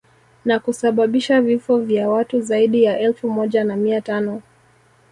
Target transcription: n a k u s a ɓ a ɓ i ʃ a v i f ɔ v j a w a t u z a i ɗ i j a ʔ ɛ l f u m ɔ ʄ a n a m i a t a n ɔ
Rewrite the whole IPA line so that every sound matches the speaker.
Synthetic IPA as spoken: n a k u s a ɓ a ɓ i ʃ a v i f ɔ v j a w a t u z a i ɗ i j a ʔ ɛ l f u m ɔ ʄ a n a m i a t a n ɔ

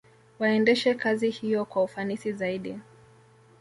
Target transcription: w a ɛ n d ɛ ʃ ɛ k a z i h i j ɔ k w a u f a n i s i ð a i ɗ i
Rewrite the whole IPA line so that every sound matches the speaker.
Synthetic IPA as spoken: w a ɛ n d ɛ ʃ ɛ k a z i h i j ɔ k w a u f a n i s i z a i ɗ i

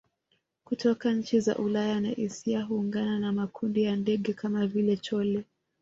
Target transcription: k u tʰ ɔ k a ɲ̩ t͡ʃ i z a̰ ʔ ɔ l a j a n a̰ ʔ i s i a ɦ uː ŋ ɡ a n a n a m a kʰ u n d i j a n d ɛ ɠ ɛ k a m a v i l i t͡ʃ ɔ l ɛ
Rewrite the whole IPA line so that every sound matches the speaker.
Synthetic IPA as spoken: k u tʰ ɔ k a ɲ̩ t͡ʃ i z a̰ ʔ u l a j a n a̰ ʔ i s i a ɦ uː ŋ ɡ a n a n a m a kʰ u n d i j a n d ɛ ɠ ɛ k a m a v i l ɛ t͡ʃ ɔ l ɛ

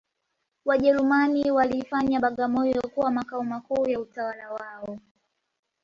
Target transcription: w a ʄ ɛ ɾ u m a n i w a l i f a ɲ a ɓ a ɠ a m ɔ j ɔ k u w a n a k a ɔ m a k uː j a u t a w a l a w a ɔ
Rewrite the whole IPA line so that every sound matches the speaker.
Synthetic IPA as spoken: w a ʄ ɛ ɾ u m a n i w a l i f a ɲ a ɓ a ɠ a m ɔ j ɔ k u w a m a k a ɔ m a k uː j a u t a w a l a w a ɔ

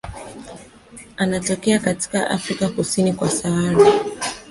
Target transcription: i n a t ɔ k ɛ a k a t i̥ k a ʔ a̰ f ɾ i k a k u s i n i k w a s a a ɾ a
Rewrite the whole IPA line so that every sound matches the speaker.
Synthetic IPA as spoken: a n a t ɔ k ɛ a k a t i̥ k a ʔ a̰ f ɾ i k a k u s i n i k w a s a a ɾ a

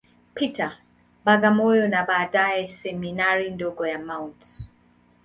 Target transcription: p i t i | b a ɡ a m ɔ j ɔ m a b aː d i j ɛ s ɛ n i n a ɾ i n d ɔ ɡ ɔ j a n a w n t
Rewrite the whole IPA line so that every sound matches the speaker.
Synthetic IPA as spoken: p i t a | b a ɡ a m ɔ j ɔ n a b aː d a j ɛ s ɛ m i n a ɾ i n d ɔ ɡ ɔ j a m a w n t

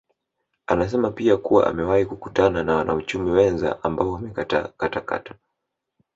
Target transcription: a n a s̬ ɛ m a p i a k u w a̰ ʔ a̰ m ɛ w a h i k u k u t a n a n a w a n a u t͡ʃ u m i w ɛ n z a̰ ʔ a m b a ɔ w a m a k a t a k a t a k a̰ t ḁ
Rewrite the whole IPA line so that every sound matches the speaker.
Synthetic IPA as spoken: a n a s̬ ɛ m a p i a k u w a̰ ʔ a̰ m ɛ w a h i k u k u t a n a n a w a n a u t͡ʃ u m i w ɛ n z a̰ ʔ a m b a ɔ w a m ɛ k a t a k a t a k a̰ t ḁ

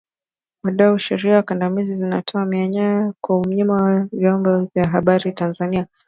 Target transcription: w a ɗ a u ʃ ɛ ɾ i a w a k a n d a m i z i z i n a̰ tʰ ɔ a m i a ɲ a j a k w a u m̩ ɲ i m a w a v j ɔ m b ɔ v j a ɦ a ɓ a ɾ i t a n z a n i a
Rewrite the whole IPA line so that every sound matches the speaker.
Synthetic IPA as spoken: w a ɗ a u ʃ ɛ ɾ i a w a k a n d a m i z i z i n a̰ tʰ ɔ a m i a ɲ a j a k w a u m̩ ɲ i m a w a v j ɔ m b ɔ v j a ɦ a ɓ a ɾ i t a n z a n i a

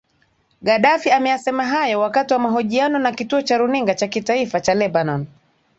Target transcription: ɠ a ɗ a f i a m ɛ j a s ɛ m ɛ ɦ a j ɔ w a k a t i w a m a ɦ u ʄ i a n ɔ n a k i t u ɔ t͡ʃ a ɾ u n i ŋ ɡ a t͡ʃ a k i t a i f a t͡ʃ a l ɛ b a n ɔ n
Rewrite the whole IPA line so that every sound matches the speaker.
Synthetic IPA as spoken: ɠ a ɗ a f i a m ɛ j a s ɛ m a ɦ a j ɔ w a k a t i w a m a ɦ ɔ ʄ i a n ɔ n a k i t u ɔ t͡ʃ a ɾ u n i ŋ ɡ a t͡ʃ a k i t a i f a t͡ʃ a l ɛ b a n ɔ n

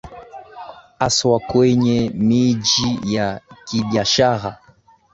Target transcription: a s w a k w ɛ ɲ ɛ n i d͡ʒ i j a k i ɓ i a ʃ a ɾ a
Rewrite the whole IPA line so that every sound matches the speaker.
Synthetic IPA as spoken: a s w a k w ɛ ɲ ɛ m i d͡ʒ i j a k i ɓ i a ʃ a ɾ a

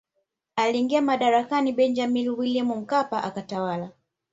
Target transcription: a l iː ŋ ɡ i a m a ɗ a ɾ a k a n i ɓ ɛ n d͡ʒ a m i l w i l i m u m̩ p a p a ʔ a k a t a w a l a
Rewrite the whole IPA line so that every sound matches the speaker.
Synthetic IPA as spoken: a l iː ŋ ɡ i a m a ɗ a ɾ a k a n i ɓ ɛ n d͡ʒ a m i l w i l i m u m̩ k a p a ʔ a k a t a w a l a

